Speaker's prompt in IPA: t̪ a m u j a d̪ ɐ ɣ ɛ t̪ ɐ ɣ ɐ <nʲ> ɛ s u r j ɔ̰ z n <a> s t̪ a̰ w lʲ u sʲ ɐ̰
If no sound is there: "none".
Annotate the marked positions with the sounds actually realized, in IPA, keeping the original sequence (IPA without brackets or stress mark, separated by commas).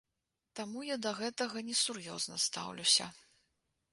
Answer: nʲ, ɐ